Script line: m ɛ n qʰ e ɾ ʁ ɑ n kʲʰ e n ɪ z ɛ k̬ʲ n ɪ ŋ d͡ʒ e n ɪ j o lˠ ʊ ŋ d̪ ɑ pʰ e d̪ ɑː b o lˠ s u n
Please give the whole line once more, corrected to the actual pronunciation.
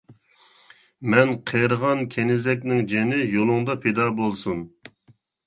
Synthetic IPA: m ɛ n qʰ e ɾ ʁ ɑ n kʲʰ e n ɪ z ɛ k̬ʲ n ɪ ŋ d͡ʒ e n ɪ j o lˠ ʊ ŋ d̪ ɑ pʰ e d̪ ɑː b o lˠ s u n

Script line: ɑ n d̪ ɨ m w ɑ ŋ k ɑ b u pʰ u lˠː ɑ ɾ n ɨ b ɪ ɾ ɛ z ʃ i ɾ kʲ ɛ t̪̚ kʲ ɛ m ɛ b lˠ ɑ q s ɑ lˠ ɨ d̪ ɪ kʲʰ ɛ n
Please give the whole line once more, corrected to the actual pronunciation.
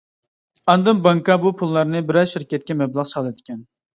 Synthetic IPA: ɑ n d̪ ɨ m b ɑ ŋ k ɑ b u pʰ u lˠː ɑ ɾ n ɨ b ɪ ɾ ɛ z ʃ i ɾ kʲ ɛ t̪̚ kʲ ɛ m ɛ b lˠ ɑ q s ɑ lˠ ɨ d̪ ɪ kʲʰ ɛ n

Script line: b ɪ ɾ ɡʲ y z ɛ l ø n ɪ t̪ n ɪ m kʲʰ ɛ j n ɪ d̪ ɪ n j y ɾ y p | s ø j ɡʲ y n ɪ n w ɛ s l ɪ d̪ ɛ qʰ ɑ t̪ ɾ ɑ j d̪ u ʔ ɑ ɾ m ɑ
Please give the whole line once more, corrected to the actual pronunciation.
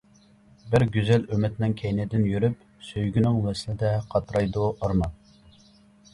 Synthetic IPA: b ɪ ɾ ɡʲ y z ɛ l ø m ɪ t̪ n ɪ ŋ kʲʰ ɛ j n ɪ d̪ ɪ n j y ɾ y p | s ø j ɡʲ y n ɪ ŋ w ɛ s l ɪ d̪ ɛ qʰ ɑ t̪ ɾ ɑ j d̪ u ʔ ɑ ɾ m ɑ

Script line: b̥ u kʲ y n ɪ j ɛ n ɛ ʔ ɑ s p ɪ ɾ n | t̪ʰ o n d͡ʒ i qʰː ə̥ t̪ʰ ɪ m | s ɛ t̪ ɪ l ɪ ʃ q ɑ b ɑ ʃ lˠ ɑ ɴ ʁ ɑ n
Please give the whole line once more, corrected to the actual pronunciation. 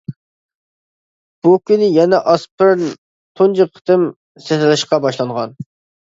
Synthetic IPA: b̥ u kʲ y n ɪ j ɛ n ɛ ʔ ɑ s p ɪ ɾ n | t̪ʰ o n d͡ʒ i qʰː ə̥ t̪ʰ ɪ m | s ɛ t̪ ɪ l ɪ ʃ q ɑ b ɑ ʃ lˠ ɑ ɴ ʁ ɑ n

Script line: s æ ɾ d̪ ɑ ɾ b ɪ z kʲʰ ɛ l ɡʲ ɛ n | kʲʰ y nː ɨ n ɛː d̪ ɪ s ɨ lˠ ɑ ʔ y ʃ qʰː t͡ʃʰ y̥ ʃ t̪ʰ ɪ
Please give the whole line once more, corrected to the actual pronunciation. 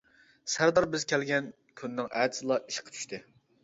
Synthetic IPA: s æ ɾ d̪ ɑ ɾ b ɪ z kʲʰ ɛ l ɡʲ ɛ n | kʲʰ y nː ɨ ŋ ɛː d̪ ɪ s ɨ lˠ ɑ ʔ i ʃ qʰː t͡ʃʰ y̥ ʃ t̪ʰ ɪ

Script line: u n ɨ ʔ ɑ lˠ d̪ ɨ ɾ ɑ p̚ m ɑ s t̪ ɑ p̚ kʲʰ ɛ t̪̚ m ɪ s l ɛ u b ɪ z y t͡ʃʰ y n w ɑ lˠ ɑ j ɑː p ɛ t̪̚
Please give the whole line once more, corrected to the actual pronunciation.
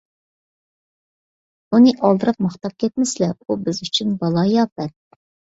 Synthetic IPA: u n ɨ ʔ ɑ lˠ d̪ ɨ ɾ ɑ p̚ m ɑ χ t̪ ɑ p̚ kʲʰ ɛ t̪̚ m ɪ s l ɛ u b ɪ z y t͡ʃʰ y n b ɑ lˠ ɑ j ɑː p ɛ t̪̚

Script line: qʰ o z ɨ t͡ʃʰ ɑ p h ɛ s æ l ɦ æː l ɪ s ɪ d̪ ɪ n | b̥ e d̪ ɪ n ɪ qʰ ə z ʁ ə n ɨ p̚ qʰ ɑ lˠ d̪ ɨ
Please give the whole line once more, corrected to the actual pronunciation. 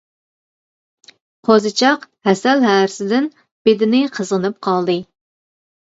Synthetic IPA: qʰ o z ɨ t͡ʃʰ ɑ q h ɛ s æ l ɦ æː ɾ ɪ s ɪ d̪ ɪ n | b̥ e d̪ ɪ n ɪ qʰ ə z ʁ ə n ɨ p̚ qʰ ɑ lˠ d̪ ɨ

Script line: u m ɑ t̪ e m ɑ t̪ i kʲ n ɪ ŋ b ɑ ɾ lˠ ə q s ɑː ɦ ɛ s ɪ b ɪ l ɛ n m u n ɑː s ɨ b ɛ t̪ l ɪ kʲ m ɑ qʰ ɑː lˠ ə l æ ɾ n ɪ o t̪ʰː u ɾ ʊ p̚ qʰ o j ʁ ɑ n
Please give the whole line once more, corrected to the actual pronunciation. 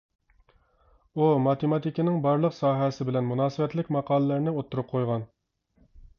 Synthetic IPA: u m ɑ t̪ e m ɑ t̪ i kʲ n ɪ ŋ b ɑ ɾ lˠ ə q s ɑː ɦ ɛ s ɪ b ɪ l ɛ n m u n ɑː s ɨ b ɛ t̪ l ɪ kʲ m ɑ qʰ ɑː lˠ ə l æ ɾ n ɪ o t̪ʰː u ɾ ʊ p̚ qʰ o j ʁ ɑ n

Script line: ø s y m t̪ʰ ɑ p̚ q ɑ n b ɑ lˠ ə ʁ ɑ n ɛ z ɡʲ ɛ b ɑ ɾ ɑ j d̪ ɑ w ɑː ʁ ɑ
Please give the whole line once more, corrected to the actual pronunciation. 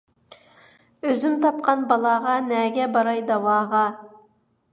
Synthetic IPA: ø z y m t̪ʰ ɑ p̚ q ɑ n b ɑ lˠ ɑ ʁ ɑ n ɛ ɡʲ ɛ b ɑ ɾ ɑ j d̪ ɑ w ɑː ʁ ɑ

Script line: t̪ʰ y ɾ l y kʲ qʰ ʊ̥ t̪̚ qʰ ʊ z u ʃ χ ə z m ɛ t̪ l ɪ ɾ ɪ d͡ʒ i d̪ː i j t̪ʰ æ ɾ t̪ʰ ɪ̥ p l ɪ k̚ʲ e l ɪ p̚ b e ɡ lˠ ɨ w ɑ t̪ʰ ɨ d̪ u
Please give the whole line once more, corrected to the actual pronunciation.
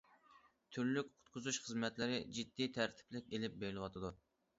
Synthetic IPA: t̪ʰ y ɾ l y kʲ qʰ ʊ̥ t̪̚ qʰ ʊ z u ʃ χ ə z m ɛ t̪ l ɪ ɾ ɪ d͡ʒ i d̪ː i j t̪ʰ æ ɾ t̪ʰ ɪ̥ p l ɪ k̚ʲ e l ɪ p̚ b e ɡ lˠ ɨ w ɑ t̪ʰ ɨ d̪ u

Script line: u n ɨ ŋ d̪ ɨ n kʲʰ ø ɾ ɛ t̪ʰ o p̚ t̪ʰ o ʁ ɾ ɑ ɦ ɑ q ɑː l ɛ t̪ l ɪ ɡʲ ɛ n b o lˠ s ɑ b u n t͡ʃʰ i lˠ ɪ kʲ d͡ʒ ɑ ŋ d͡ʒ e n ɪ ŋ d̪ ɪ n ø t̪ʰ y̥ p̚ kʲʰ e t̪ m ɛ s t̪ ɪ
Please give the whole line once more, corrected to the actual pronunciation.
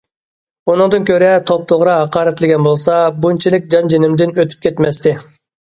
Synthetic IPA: u n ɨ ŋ d̪ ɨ n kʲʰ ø ɾ ɛ t̪ʰ o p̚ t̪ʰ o ʁ ɾ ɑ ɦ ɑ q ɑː ɾ ɛ t̪ l ɪ ɡʲ ɛ n b o lˠ s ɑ b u n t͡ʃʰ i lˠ ɪ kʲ d͡ʒ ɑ n d͡ʒ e n ɪ m d̪ ɪ n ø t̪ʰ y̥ p̚ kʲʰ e t̪ m ɛ s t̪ ɪ

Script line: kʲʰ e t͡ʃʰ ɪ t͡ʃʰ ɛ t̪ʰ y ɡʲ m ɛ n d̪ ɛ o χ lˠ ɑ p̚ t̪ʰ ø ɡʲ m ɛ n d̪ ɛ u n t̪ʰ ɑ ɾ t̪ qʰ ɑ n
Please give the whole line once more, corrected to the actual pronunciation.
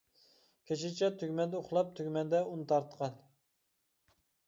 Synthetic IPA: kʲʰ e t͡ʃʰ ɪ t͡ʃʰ ɛ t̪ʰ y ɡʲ m ɛ n d̪ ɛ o χ lˠ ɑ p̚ t̪ʰ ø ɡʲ m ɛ n d̪ ɛ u n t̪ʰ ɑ ɾ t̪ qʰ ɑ n

